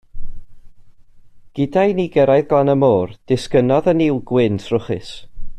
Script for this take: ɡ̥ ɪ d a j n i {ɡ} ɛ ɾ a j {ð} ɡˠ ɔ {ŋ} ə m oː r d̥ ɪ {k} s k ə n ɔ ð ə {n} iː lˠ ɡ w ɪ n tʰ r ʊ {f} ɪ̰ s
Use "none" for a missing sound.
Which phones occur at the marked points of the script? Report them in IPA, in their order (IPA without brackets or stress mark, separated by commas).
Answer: ɡ, ð, n, none, n, χ